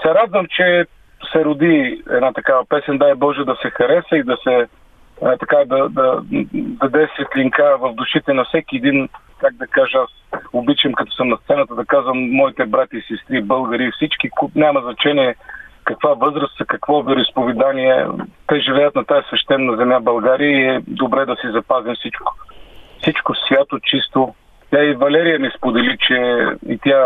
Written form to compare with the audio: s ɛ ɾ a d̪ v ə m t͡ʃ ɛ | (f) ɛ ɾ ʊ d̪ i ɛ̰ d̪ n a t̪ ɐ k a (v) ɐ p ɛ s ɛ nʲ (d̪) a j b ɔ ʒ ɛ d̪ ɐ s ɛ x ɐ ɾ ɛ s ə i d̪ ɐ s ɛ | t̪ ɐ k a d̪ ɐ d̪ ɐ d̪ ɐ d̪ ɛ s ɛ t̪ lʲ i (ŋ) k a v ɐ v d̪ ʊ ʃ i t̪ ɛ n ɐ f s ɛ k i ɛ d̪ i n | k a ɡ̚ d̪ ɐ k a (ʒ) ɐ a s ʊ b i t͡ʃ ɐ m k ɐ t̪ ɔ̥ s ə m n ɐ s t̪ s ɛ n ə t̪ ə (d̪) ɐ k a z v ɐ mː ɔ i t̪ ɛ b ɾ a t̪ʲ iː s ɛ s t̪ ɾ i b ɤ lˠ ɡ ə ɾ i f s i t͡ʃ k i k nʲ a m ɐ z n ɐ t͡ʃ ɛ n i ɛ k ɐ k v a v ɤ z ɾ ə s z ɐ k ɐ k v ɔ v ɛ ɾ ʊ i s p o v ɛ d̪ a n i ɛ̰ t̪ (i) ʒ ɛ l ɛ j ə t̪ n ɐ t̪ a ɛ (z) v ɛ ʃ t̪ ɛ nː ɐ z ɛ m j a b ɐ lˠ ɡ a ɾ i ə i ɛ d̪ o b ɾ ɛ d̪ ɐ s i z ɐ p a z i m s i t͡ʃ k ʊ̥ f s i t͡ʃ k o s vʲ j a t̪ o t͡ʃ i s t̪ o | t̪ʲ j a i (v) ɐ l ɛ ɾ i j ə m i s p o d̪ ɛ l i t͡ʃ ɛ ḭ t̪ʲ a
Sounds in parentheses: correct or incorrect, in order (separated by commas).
incorrect, correct, correct, correct, correct, correct, incorrect, incorrect, correct